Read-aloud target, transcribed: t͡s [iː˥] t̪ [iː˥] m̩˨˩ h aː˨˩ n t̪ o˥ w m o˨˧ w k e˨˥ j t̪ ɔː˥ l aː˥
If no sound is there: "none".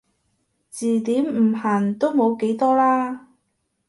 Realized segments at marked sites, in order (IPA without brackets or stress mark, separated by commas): iː˨˩, iː˨˥